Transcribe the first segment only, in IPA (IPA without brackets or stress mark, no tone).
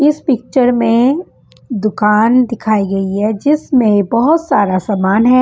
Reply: ɪ